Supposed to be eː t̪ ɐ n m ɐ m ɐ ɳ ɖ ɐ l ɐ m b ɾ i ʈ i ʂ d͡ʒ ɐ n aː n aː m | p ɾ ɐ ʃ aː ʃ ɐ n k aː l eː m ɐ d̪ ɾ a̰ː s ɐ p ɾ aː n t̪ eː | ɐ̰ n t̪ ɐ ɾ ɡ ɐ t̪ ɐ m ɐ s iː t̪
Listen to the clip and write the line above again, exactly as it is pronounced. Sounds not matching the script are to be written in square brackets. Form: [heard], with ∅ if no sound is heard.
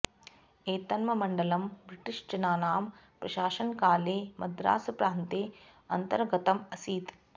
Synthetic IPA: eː t̪ ɐ n m ɐ m ɐ ɳ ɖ ɐ l ɐ m b ɾ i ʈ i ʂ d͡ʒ ɐ n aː n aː m | p ɾ ɐ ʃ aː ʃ ɐ n k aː l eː m ɐ d̪ ɾ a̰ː s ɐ p ɾ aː n t̪ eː | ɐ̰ n t̪ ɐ ɾ ɡ ɐ t̪ ɐ m ɐ s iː t̪